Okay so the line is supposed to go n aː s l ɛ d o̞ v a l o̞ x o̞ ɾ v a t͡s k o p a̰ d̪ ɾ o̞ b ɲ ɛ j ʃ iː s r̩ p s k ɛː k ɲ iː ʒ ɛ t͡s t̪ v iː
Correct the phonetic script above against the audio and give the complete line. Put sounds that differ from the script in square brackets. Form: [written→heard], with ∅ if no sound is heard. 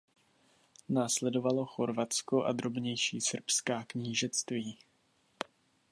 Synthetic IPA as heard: n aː s l ɛ d o̞ v a l o̞ x o̞ ɾ v a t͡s k o [p→ʔ] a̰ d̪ ɾ o̞ b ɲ ɛ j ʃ iː s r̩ p s k [ɛː→aː] k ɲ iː ʒ ɛ t͡s t̪ v iː